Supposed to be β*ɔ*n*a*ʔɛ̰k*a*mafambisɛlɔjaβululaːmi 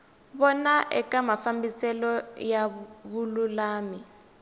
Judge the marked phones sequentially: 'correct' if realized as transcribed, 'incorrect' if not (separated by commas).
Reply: correct, correct, correct